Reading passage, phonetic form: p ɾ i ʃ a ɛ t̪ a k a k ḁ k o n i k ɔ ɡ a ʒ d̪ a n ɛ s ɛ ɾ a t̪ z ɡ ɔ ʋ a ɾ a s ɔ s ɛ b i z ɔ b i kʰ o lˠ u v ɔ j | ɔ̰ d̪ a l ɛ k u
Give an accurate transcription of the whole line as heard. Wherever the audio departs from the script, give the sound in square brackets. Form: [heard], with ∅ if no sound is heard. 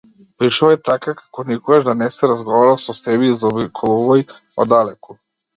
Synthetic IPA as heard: p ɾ i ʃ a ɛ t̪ a k a k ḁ k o n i k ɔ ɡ a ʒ d̪ a n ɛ s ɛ ɾ a [∅] z ɡ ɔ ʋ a ɾ a s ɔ s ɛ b i z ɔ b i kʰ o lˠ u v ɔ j | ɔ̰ d̪ a l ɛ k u